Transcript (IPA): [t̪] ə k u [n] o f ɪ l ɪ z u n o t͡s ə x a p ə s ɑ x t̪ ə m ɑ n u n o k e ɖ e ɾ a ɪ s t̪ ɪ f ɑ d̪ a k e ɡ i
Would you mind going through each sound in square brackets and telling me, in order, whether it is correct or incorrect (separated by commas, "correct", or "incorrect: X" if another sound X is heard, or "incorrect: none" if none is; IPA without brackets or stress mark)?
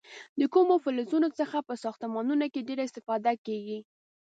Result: incorrect: d̪, incorrect: m